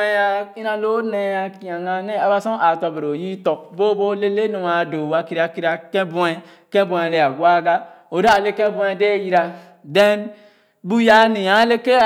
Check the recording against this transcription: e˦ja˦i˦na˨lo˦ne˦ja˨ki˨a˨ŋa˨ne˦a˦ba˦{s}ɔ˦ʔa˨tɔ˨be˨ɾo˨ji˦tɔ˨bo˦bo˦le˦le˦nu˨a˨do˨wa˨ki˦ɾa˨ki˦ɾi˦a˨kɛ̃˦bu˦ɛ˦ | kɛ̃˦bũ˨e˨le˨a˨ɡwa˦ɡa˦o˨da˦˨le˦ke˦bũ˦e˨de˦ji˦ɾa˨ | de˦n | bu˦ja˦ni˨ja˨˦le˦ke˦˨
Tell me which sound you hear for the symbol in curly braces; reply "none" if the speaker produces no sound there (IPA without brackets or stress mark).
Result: s